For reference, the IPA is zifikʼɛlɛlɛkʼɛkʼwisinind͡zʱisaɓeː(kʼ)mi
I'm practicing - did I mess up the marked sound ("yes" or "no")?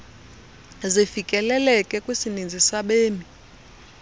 yes